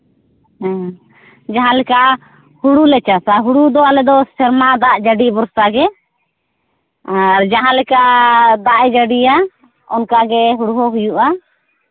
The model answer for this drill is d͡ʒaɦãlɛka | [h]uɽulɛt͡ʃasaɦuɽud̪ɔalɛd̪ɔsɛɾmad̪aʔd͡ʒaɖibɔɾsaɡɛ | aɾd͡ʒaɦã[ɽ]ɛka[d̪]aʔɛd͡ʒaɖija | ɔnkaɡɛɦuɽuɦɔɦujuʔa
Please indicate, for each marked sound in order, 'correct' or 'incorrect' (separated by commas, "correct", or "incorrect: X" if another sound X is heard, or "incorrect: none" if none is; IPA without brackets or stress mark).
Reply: correct, incorrect: l, correct